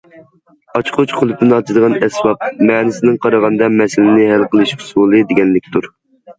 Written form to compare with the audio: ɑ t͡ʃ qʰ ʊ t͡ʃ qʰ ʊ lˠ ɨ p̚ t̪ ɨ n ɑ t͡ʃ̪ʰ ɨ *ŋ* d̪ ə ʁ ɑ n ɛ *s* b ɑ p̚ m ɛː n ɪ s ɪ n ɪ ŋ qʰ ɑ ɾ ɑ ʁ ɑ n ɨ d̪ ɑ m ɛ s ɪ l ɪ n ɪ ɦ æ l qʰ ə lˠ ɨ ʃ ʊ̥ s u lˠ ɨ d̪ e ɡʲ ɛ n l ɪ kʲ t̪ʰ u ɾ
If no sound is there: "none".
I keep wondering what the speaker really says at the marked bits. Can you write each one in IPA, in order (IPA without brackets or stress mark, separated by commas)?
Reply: none, s